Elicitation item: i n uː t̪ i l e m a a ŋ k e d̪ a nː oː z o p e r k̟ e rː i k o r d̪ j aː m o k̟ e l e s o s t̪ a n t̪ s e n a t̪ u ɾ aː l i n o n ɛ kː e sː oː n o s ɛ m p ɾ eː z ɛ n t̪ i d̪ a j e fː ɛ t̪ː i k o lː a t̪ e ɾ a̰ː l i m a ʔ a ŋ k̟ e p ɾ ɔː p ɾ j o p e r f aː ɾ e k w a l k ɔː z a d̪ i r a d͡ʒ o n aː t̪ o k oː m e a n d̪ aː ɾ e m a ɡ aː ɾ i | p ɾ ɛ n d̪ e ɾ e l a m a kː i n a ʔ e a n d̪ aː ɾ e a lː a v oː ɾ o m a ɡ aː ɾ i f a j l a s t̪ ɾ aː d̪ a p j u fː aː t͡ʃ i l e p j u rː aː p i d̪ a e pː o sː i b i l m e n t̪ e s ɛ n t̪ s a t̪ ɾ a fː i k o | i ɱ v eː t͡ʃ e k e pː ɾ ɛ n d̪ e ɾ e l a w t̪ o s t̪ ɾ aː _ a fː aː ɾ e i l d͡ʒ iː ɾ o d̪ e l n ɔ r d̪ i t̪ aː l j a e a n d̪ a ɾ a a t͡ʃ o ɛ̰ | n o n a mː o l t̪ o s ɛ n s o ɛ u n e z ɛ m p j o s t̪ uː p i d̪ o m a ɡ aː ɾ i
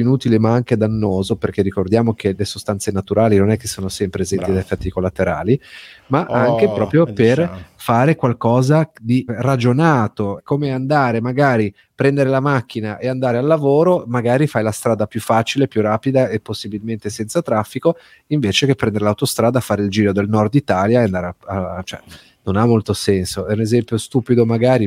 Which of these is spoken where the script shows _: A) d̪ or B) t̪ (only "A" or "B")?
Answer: A